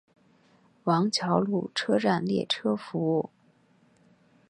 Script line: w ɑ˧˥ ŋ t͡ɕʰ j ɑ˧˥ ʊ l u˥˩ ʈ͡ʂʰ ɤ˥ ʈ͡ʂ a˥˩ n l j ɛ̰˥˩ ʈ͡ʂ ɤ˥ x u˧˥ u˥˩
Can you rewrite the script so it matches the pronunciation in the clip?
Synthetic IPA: w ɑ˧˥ ŋ t͡ɕʰ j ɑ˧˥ ʊ l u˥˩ ʈ͡ʂʰ ɤ˥ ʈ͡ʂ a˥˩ n l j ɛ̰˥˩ ʈ͡ʂʰ ɤ˥ f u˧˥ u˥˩

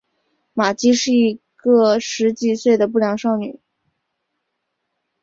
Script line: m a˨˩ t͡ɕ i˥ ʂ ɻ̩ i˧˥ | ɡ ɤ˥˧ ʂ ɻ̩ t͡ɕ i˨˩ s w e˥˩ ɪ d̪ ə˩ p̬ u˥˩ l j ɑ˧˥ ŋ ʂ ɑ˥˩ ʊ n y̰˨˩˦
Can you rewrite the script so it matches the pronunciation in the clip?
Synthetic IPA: m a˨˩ t͡ɕ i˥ ʂ ɻ̩ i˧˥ | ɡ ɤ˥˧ ʂ ɻ̩ t͡ɕ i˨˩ s w e˥˩ ɪ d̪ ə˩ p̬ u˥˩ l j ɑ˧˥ ŋ ʂ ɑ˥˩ ʊ n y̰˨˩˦

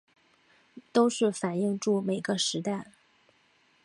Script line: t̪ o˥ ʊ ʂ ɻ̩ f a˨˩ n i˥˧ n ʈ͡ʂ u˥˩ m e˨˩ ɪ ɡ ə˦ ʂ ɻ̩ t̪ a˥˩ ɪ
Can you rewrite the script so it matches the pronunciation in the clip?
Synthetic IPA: t̪ o˥ ʊ ʂ ɻ̩ f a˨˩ n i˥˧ ŋ ʈ͡ʂ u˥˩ m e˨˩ ɪ ɡ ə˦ ʂ ɻ̩ t̪ a˥˩ ɪ

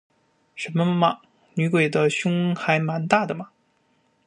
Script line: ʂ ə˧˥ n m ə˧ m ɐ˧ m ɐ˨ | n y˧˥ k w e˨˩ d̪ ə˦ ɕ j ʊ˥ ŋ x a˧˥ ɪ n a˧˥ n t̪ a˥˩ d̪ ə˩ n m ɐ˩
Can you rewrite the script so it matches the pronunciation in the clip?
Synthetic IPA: ʂ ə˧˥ n m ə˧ m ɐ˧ m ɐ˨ | n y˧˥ k w e˨˩ d̪ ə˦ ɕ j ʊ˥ ŋ x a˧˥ ɪ m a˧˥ n t̪ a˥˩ d̪ ə˩ m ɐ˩

